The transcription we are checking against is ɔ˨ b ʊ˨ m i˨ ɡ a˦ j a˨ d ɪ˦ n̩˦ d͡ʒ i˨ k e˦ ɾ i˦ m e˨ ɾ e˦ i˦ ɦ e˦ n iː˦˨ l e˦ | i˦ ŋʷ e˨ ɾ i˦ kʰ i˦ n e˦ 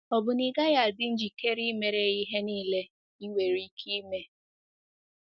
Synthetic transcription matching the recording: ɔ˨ b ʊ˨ n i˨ ɡ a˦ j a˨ d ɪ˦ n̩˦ d͡ʒ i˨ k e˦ ɾ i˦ m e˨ ɾ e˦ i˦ ɦ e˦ n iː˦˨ l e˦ | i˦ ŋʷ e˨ ɾ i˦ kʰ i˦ m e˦